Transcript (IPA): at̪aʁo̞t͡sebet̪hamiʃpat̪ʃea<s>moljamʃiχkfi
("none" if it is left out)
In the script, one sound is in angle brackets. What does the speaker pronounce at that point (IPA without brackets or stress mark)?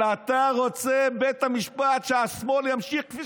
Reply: s